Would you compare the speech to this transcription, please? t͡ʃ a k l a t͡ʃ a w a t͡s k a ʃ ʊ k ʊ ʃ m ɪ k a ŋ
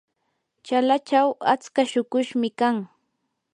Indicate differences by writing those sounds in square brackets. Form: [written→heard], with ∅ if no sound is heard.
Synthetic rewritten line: t͡ʃ a [k→∅] l a t͡ʃ a w a t͡s k a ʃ ʊ k ʊ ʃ m ɪ k a ŋ